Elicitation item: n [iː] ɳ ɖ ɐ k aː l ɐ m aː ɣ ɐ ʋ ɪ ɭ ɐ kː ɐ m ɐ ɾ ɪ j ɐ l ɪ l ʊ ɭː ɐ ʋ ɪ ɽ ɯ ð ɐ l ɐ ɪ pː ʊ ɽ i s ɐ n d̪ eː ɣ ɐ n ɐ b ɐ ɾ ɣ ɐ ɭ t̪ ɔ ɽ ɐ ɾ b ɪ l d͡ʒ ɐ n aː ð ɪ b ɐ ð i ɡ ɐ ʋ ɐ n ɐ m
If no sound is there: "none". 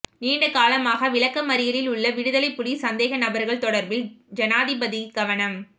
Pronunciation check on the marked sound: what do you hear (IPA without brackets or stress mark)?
iː